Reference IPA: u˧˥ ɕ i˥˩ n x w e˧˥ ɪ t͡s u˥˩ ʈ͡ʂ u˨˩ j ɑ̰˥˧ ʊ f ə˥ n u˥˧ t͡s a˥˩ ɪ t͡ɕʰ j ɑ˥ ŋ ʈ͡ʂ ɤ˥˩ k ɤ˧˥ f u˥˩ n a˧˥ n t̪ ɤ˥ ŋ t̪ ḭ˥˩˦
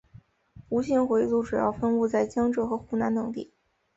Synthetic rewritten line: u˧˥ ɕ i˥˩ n x w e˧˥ ɪ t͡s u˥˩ ʈ͡ʂ u˨˩ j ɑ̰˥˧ ʊ f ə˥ n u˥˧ t͡s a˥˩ ɪ t͡ɕ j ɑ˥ ŋ ʈ͡ʂ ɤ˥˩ x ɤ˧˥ x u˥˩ n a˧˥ n t̪ ɤ˨˩ ŋ t̪ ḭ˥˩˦